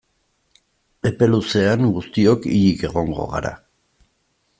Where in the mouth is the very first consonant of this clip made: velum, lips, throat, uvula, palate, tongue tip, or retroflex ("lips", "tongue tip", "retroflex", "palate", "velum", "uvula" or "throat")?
lips